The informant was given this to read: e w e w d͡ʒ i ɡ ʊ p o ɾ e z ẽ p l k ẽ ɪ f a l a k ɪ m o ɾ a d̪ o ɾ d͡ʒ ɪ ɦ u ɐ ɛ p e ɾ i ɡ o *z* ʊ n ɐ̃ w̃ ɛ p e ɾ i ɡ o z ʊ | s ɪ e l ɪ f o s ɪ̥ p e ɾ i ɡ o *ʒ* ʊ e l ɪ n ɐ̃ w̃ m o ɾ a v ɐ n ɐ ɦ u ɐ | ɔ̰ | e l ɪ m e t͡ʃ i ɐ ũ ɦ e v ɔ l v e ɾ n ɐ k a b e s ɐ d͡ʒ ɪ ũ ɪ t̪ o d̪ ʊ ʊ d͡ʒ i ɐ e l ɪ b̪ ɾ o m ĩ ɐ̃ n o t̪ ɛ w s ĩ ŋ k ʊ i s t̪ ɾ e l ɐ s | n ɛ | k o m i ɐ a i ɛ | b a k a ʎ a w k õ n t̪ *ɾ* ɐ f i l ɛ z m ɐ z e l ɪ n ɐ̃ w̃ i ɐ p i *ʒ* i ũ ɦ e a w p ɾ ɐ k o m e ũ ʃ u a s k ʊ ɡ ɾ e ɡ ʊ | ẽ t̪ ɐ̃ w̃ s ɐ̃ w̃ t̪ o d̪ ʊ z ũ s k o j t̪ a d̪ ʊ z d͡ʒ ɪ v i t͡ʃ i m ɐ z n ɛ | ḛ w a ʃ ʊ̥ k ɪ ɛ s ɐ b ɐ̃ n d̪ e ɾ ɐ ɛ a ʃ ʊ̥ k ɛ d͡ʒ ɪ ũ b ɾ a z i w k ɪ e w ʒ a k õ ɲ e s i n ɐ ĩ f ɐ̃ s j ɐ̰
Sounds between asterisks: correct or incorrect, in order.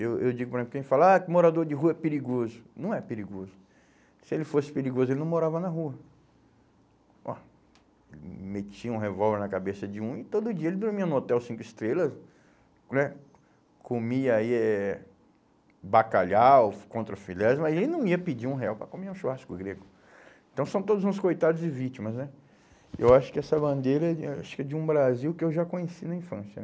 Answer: correct, incorrect, correct, incorrect

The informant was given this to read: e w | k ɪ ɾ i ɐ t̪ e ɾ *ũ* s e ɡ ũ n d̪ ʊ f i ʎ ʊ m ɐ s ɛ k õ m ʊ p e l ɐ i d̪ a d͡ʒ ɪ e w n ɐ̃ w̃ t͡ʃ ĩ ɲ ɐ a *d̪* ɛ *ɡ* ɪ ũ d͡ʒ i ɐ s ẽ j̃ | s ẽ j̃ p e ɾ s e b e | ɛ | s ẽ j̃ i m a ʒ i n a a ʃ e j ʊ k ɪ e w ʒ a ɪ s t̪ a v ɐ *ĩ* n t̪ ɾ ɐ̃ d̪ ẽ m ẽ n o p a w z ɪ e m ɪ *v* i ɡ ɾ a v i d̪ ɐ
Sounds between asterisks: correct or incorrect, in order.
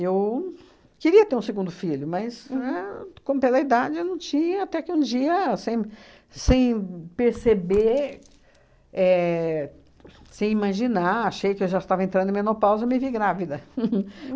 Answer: correct, incorrect, incorrect, incorrect, correct

